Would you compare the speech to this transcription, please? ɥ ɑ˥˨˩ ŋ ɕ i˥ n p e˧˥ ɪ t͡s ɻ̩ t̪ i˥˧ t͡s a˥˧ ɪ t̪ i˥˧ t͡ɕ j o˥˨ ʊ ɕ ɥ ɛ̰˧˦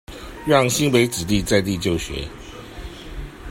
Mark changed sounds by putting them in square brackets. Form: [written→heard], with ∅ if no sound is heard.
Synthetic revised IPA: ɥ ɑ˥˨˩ ŋ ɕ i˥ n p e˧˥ ɪ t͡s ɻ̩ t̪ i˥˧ t͡s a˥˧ ɪ t̪ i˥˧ t͡ɕ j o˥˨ ʊ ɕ ɥ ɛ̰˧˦